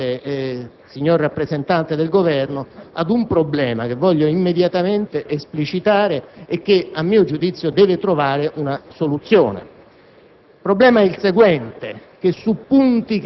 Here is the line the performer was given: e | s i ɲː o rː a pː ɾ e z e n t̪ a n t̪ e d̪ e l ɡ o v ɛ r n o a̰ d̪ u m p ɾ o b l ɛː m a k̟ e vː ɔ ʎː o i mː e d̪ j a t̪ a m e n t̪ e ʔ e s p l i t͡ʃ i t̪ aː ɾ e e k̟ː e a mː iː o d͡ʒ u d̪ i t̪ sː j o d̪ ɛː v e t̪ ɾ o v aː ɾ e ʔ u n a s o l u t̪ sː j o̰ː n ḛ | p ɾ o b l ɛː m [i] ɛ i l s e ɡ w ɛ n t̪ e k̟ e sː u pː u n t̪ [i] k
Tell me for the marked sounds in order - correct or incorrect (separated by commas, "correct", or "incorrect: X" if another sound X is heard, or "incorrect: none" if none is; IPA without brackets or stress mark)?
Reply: incorrect: a, correct